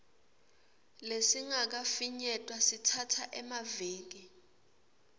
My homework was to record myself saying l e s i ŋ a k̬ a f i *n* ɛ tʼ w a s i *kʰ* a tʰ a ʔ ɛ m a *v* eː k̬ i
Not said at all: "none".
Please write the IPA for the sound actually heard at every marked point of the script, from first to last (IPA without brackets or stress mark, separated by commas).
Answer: ɲ, tʰ, v